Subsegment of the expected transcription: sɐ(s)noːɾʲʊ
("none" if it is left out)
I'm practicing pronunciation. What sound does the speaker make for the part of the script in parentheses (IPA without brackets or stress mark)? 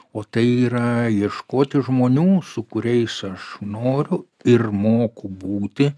ʃ